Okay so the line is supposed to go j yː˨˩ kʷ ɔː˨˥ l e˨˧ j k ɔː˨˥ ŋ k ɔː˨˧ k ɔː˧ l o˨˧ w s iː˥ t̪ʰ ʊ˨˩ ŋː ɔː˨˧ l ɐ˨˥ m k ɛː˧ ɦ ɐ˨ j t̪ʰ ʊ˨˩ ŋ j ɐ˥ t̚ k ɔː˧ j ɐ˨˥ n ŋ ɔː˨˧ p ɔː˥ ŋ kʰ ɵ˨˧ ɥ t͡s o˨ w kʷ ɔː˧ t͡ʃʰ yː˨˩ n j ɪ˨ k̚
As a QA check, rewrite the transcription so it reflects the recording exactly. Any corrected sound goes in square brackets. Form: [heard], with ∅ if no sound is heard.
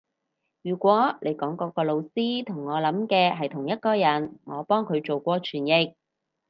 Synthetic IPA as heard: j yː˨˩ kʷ ɔː˨˥ l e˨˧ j k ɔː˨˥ ŋ k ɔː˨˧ k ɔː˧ l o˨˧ w s iː˥ t̪ʰ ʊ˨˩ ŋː ɔː˨˧ l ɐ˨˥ m k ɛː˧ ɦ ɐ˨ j t̪ʰ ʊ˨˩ ŋ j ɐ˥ t̚ k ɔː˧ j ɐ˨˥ n ŋ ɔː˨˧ p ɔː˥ ŋ kʰ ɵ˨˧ ɥ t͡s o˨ w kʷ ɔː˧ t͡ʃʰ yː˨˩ n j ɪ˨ k̚

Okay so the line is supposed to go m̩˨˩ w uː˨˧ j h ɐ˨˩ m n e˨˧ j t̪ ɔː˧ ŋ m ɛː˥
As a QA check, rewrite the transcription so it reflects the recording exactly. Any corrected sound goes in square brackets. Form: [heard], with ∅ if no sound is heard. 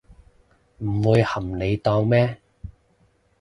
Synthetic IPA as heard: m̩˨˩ w uː˨˧ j h ɐ˨˩ m n e˨˧ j t̪ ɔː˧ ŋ m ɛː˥

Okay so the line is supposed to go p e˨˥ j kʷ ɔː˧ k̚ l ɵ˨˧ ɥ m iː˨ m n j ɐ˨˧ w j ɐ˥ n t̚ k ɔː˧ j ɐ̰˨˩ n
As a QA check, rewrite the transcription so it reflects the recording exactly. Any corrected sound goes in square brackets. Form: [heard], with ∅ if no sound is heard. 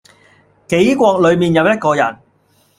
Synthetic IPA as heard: [k] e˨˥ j kʷ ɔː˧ k̚ l ɵ˨˧ ɥ m iː˨ [∅] n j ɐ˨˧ w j ɐ˥ [∅] t̚ k ɔː˧ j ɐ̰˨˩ n

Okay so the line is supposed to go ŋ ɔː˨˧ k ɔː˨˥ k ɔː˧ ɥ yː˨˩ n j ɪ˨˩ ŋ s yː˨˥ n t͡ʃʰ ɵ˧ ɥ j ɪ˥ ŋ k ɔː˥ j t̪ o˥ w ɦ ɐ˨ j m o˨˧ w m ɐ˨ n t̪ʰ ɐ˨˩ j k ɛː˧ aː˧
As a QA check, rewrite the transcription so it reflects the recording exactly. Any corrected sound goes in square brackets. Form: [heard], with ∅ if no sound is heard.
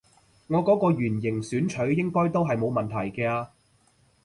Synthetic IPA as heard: ŋ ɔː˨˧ k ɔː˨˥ k ɔː˧ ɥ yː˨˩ n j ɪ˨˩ ŋ s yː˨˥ n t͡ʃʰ [ɵ˨˥] ɥ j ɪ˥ ŋ k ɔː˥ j t̪ o˥ w ɦ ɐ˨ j m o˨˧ w m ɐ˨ n t̪ʰ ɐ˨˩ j k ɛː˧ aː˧

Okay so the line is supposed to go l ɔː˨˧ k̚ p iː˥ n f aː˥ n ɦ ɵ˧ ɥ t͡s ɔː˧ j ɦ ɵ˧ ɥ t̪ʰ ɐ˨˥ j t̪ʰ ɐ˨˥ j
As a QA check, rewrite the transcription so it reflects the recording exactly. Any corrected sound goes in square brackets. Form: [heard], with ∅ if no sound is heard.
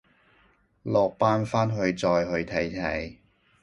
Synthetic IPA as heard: l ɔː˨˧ k̚ p [aː˥] n f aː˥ n ɦ ɵ˧ ɥ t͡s ɔː˧ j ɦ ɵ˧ ɥ t̪ʰ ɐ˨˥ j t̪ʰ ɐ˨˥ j

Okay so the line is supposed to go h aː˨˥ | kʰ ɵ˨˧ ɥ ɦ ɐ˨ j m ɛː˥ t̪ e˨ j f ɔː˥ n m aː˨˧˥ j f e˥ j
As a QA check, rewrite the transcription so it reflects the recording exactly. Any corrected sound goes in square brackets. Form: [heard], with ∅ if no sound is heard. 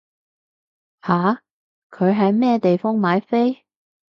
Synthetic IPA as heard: h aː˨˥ | kʰ ɵ˨˧ ɥ ɦ ɐ˨ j m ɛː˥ t̪ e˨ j f ɔː˥ [ŋ] m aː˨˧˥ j f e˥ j

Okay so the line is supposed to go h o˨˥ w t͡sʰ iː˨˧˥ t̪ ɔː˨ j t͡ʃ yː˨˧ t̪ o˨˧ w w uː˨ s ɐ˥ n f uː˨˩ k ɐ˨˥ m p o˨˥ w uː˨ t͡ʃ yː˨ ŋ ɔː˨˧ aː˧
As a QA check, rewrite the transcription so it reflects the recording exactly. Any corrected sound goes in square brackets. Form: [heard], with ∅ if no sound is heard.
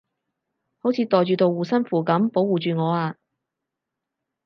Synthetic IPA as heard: h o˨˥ w t͡sʰ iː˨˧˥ t̪ ɔː˨ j t͡ʃ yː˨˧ t̪ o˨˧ w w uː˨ s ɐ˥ n f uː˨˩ k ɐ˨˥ m p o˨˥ w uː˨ t͡ʃ yː˨ ŋ ɔː˨˧ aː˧

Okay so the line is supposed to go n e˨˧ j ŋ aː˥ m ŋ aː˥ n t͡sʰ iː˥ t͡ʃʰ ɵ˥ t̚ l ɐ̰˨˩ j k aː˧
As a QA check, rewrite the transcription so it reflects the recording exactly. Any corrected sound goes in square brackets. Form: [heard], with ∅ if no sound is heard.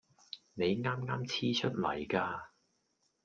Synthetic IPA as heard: n e˨˧ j ŋ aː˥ m ŋ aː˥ [m] t͡sʰ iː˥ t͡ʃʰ ɵ˥ t̚ l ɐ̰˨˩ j k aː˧

